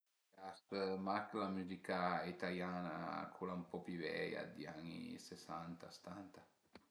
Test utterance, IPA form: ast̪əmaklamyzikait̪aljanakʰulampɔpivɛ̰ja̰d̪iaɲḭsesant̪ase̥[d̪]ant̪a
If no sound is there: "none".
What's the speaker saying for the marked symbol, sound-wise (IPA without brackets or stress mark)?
t̪